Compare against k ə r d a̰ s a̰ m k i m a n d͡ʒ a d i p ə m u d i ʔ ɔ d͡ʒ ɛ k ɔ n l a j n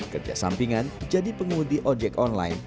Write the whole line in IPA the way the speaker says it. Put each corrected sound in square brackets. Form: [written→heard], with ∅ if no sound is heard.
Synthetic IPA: k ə r [d→d͡ʒ] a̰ s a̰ m [k→p] i [m→ŋ] a n d͡ʒ a d i p ə [m→ŋ] u d i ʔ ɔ d͡ʒ ɛ k ɔ n l a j n